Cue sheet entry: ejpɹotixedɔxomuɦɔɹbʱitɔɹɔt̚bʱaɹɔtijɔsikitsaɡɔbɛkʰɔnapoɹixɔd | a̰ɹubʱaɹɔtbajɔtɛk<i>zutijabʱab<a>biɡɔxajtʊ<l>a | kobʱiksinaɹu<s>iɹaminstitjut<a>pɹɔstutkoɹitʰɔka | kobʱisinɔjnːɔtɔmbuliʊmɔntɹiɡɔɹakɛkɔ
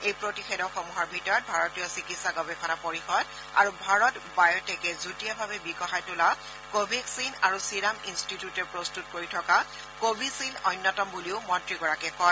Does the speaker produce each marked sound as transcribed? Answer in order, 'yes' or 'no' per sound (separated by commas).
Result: no, no, yes, yes, no